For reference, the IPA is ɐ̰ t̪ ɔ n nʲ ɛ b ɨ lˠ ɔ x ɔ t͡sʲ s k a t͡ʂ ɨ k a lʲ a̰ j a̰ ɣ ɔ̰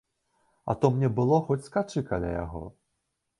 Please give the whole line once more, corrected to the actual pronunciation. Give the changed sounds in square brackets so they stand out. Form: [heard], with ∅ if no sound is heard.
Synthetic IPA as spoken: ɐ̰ t̪ ɔ [m] nʲ ɛ b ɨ lˠ ɔ x ɔ t͡sʲ s k a t͡ʂ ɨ k a lʲ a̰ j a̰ ɣ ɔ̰